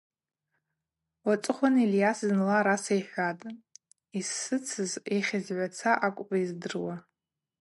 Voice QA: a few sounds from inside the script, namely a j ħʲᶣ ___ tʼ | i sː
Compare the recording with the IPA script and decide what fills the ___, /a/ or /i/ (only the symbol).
a